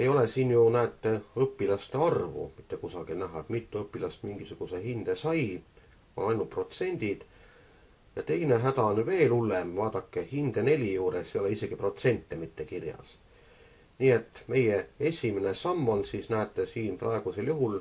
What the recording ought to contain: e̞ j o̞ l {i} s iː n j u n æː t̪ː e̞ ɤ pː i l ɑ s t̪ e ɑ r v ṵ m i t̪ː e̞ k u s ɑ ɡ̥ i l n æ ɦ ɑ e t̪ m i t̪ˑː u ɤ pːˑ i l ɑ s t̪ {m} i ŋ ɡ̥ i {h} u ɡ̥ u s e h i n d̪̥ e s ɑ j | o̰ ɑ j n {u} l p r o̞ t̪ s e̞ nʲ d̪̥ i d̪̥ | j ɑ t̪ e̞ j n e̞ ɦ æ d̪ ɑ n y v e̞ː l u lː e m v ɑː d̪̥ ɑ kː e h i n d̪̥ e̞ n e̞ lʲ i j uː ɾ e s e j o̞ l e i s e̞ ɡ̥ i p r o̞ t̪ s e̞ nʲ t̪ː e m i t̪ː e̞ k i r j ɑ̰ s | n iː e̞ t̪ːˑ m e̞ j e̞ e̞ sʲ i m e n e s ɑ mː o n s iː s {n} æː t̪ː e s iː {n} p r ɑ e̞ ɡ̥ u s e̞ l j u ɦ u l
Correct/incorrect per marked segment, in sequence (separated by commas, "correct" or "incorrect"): incorrect, correct, incorrect, correct, correct, correct